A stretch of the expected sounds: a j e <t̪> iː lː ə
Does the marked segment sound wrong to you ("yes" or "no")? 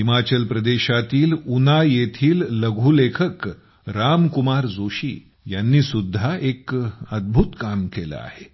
yes